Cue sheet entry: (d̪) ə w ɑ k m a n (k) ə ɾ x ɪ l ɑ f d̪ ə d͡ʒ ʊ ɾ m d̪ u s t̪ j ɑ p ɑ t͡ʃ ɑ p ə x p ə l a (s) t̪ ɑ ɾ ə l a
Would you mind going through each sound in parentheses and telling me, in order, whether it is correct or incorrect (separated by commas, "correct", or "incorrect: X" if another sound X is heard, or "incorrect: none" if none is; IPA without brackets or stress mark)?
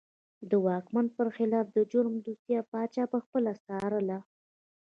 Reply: correct, incorrect: p, correct